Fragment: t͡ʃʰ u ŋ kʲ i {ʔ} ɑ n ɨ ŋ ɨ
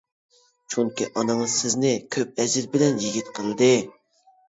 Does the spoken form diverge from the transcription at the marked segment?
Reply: no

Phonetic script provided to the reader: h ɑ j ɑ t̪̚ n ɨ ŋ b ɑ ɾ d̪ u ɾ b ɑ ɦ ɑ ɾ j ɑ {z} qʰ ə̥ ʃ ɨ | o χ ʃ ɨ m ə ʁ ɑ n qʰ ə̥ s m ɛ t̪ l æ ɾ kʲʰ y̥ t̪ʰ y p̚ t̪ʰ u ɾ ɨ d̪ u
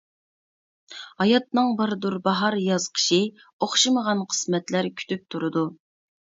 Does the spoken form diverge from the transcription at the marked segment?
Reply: no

